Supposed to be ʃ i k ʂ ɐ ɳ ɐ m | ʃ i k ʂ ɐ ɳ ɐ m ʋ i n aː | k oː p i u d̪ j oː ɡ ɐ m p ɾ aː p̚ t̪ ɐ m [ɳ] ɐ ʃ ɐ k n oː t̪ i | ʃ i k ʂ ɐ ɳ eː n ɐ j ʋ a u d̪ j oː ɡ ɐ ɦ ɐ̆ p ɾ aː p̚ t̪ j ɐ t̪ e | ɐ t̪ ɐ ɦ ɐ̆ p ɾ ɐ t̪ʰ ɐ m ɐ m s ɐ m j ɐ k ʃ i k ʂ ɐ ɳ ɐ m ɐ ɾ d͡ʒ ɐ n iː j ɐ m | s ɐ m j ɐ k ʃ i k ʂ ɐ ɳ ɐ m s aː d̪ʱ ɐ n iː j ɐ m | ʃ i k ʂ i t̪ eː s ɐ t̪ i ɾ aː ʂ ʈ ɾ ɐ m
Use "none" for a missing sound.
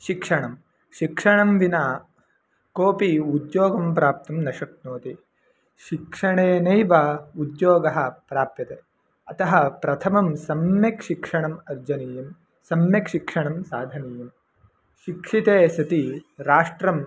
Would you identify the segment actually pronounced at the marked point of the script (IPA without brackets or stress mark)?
n